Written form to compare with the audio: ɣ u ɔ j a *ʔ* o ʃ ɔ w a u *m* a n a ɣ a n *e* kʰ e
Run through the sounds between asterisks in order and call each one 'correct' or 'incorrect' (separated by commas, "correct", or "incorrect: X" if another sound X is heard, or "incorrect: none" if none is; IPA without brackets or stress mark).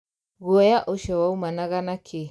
correct, correct, incorrect: a